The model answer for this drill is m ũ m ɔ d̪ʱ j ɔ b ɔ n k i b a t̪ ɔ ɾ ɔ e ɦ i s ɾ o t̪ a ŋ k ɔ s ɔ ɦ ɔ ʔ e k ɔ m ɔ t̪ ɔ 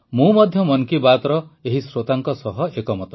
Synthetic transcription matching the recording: m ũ m ɔ d̪ʱ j ɔ m ɔ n k i b a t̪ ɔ ɾ ɔ e ɦ i s ɾ o t̪ a ŋ k ɔ s ɔ ɦ ɔ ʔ e k ɔ m ɔ t̪ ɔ